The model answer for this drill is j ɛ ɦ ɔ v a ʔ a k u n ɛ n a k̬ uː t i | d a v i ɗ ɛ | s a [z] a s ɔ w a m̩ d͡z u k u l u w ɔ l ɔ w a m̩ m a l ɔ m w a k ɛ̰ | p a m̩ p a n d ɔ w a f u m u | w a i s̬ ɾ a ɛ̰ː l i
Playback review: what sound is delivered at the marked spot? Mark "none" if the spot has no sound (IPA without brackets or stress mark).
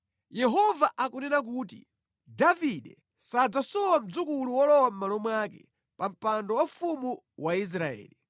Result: d͡z